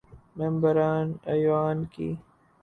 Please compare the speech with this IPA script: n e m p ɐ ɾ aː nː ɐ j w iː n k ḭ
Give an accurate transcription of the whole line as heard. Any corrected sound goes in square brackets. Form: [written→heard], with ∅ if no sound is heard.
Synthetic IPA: [n→m] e m [p→b] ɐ ɾ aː [nː→n] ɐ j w [iː→aː] n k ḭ